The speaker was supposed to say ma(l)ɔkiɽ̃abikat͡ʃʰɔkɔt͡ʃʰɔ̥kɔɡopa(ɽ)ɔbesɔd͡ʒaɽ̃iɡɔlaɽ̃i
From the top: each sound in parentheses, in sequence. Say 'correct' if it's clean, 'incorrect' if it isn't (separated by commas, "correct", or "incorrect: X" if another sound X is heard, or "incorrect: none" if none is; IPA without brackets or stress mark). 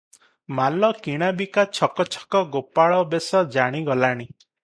correct, incorrect: ɭ